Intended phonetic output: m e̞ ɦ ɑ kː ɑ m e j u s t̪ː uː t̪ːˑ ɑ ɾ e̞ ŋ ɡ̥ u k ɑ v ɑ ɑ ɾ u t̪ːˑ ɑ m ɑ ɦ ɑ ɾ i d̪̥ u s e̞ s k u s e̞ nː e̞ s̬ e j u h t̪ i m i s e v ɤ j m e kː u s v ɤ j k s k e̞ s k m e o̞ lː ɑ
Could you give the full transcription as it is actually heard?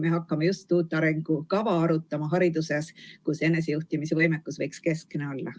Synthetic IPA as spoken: m e̞ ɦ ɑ kː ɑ m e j u s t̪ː uː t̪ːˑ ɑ ɾ e̞ ŋ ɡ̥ u k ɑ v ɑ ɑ ɾ u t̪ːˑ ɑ m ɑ ɦ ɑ ɾ i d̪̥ u s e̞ s k u s e̞ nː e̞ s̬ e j u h t̪ i m i s e v ɤ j m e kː u s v ɤ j k s k e̞ s k n e o̞ lː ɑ